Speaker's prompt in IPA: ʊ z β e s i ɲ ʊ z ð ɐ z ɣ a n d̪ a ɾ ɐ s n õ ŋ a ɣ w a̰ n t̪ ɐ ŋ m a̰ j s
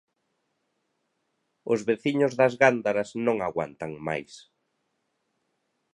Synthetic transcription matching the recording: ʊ z β e θ i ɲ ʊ z ð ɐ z ɣ a n d̪ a ɾ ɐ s n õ ŋ a ɣ w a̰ n t̪ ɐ ŋ m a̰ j s